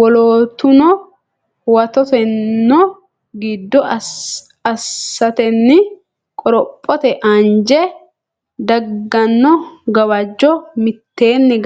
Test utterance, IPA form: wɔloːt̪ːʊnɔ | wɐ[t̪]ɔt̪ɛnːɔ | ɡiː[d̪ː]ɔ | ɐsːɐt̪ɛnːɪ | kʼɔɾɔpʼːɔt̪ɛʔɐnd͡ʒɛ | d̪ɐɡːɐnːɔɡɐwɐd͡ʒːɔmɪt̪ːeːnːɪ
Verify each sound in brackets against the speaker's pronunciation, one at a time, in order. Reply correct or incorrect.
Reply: correct, correct

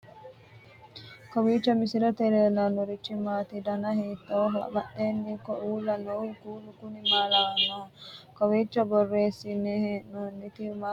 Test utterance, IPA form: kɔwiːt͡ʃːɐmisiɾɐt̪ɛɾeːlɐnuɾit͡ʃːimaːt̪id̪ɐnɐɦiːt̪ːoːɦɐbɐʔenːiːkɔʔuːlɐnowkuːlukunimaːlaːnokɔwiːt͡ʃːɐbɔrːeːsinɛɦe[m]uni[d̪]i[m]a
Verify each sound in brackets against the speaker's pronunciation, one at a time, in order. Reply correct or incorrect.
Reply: incorrect, incorrect, correct

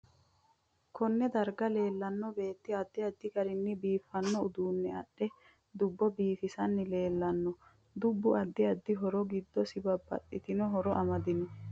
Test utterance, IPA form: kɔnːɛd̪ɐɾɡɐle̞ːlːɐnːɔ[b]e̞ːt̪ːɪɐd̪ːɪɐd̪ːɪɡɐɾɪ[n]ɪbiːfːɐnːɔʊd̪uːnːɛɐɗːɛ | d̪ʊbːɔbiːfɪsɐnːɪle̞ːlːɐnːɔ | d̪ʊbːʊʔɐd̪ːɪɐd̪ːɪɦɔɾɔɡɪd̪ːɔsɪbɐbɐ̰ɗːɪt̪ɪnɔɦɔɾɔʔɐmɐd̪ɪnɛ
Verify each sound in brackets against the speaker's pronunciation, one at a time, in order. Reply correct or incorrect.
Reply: correct, incorrect

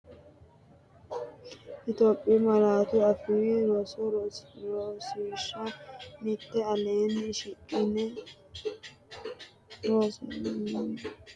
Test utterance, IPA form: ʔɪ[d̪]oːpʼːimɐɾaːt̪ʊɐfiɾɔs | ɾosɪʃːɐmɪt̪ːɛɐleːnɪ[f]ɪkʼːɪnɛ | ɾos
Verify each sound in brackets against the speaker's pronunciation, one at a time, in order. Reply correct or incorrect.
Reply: incorrect, incorrect

